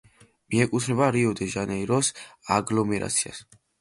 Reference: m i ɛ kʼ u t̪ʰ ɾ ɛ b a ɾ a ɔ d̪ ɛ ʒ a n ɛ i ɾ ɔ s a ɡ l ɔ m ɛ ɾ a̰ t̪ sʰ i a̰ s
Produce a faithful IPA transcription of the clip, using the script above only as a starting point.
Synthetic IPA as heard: m i ɛ kʼ u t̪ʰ ɾ ɛ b a ɾ i ɔ d̪ ɛ ʒ a n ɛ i ɾ ɔ s a ɡ l ɔ m ɛ ɾ a̰ t̪ sʰ i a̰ s